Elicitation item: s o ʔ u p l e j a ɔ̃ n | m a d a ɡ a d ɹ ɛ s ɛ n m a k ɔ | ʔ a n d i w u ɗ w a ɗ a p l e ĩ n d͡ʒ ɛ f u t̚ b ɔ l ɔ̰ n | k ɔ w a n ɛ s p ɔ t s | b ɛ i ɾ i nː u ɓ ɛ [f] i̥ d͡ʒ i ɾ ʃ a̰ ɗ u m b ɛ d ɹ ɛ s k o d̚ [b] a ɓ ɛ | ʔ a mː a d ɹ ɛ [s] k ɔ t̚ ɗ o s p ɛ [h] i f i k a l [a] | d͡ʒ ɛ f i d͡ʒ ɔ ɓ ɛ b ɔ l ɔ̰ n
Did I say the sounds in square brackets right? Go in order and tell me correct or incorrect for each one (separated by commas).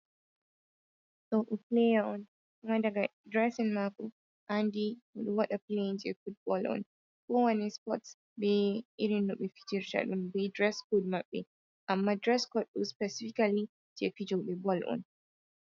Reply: correct, incorrect, correct, incorrect, incorrect